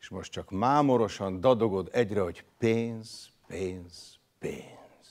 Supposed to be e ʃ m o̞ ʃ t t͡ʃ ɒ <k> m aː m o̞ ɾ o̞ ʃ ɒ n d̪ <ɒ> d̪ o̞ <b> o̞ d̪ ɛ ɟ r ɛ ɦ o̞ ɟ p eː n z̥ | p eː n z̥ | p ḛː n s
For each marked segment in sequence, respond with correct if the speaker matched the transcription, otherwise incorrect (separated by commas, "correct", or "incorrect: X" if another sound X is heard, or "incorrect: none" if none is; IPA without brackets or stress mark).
correct, correct, incorrect: ɡ